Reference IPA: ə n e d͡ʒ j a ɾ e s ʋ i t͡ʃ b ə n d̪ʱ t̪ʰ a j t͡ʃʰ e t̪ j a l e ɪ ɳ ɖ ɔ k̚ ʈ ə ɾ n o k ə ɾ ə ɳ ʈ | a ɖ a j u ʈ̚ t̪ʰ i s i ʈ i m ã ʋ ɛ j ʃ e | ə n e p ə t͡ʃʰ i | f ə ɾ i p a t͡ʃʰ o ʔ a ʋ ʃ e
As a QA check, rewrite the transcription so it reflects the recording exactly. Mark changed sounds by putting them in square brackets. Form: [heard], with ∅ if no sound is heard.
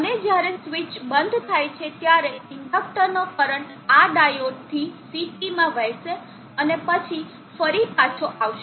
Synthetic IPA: ə n e d͡ʒ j a ɾ e s ʋ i t͡ʃ b ə n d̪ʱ t̪ʰ a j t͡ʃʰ e t̪ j a [ɾ] e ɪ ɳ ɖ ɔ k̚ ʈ ə ɾ n o k ə ɾ ə ɳ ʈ | a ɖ a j [o] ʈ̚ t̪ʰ i s i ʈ i m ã ʋ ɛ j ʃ e | ə n e p ə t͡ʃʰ i | f ə ɾ i p a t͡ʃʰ o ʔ a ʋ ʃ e